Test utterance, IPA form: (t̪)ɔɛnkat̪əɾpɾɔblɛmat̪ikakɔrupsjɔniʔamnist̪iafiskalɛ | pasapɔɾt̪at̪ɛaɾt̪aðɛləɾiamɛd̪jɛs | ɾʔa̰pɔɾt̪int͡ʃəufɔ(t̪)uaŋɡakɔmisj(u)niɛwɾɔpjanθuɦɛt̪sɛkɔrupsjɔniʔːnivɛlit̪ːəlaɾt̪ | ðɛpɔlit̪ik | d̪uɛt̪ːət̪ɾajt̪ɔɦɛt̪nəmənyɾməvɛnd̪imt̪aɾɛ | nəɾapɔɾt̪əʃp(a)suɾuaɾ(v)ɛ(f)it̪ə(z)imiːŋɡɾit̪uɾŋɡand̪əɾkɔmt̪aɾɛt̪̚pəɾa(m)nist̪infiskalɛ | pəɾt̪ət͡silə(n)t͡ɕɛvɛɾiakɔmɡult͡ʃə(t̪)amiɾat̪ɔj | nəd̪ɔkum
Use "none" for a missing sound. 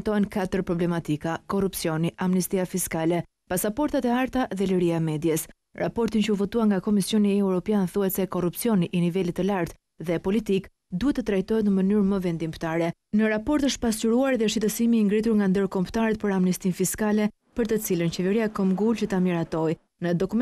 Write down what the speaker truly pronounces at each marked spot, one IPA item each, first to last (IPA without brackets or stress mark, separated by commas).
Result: t̪, t̪, ɔ, a, ð, ʃ, s, m, n, t̪